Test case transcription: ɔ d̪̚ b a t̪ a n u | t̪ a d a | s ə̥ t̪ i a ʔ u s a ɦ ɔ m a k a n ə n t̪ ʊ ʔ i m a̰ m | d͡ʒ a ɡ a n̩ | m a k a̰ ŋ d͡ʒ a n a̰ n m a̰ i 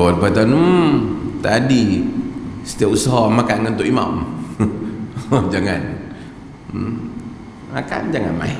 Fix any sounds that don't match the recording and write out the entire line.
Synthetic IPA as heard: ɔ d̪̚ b a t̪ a n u | t̪ a d i | s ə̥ t̪ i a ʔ u s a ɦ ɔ m a k a n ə n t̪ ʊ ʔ i m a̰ m | d͡ʒ a ŋ a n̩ | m a k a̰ n d͡ʒ a ŋ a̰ n m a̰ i